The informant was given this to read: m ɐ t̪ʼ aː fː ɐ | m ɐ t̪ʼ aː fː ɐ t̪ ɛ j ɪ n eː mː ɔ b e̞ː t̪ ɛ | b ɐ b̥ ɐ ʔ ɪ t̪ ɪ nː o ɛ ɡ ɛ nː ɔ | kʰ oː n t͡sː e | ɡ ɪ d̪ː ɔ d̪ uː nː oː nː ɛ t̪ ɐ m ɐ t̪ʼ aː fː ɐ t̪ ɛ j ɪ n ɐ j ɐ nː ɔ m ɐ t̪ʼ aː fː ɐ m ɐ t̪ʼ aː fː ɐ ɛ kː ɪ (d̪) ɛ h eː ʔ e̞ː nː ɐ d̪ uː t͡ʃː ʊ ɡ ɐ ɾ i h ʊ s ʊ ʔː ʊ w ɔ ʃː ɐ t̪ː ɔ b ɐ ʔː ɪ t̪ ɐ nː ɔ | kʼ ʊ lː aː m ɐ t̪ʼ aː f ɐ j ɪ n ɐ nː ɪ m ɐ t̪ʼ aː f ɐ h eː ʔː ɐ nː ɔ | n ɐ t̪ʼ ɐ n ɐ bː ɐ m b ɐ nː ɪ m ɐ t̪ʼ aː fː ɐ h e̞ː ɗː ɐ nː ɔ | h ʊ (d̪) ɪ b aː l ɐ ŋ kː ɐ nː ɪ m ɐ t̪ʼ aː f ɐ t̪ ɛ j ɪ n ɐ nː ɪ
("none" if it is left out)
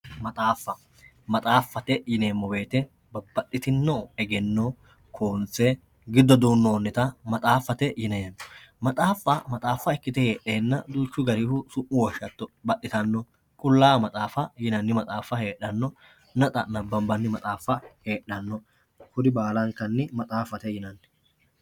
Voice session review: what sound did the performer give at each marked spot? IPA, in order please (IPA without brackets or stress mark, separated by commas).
t̪, d̪